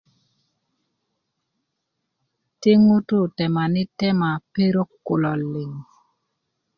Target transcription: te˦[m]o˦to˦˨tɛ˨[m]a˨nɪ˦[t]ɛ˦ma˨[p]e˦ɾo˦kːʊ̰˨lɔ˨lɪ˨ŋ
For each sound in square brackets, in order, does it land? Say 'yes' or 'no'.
no, yes, yes, yes

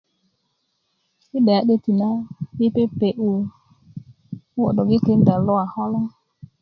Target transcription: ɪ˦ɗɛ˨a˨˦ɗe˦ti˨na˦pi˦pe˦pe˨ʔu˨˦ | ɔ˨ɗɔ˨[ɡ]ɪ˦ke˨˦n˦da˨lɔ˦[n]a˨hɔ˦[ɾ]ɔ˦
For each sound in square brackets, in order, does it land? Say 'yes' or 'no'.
yes, no, no

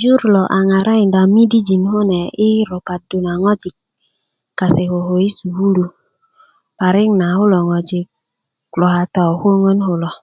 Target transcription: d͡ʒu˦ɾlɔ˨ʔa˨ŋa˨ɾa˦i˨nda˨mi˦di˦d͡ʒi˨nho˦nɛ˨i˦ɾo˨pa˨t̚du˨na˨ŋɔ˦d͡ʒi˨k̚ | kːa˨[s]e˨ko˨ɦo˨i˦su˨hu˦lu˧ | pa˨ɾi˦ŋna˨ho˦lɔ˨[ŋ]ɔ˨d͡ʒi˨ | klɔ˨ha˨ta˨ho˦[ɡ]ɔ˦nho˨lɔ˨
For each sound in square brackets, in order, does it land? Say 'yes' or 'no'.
yes, yes, no

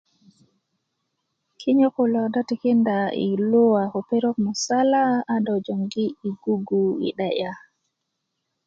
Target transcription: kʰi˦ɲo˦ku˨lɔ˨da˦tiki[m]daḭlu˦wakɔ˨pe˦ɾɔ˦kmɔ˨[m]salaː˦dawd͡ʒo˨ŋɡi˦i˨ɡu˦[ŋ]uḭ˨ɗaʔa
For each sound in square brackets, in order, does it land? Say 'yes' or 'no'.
no, no, no

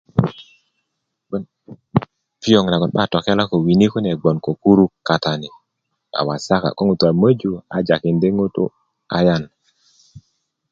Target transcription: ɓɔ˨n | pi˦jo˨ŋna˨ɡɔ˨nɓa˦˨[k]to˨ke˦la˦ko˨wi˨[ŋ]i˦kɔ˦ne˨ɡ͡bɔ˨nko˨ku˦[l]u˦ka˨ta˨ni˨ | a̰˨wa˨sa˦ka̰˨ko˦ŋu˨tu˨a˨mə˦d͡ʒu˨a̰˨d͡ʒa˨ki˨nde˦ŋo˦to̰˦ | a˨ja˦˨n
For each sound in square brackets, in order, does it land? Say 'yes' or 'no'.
no, no, no

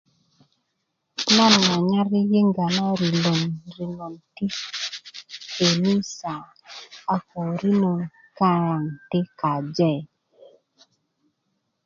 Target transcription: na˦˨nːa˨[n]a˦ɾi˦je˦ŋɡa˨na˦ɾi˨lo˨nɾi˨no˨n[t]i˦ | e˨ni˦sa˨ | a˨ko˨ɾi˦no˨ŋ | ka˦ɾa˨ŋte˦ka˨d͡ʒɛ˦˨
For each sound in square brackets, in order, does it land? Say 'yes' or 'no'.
no, yes

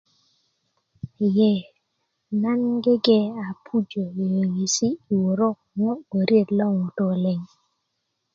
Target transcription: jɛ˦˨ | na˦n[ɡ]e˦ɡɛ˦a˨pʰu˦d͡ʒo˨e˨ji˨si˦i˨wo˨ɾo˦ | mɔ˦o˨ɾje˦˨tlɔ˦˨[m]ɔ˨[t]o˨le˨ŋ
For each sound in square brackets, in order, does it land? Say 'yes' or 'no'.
yes, no, yes

